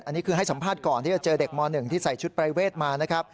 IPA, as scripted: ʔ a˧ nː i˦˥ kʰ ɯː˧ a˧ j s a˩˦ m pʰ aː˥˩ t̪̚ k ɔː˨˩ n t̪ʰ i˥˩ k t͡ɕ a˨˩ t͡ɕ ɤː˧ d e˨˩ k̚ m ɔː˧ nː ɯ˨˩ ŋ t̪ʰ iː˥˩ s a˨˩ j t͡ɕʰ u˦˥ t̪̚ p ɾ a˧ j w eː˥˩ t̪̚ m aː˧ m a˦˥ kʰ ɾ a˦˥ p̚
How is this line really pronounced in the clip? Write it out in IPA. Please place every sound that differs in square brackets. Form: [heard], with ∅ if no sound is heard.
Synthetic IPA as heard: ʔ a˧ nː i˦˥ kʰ ɯː˧ [a˥˩] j s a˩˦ m pʰ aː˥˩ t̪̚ k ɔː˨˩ n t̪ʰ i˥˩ [∅] t͡ɕ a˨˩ t͡ɕ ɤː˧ d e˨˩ k̚ m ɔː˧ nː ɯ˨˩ ŋ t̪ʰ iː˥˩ s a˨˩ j t͡ɕʰ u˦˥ t̪̚ p ɾ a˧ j w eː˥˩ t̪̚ m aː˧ [n] a˦˥ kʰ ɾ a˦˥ p̚